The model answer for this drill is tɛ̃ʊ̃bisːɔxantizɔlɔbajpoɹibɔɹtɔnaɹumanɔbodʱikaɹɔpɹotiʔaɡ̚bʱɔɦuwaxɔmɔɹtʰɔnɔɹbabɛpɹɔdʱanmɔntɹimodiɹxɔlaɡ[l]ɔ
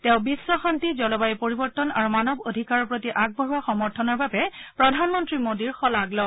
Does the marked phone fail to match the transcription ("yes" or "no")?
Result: no